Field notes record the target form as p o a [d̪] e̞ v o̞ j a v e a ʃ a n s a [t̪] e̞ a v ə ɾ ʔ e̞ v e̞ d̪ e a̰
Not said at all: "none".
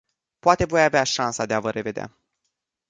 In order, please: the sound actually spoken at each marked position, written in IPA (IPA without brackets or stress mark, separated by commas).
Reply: t̪, d̪